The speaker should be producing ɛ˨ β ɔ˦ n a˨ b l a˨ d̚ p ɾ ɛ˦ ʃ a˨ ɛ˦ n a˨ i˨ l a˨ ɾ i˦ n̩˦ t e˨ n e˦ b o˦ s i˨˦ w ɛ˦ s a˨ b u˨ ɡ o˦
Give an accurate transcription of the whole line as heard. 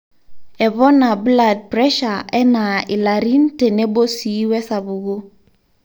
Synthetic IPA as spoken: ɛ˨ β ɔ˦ n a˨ b l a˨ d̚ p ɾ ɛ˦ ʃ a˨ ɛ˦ n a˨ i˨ l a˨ ɾ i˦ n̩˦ t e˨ n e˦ b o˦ s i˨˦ w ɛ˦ s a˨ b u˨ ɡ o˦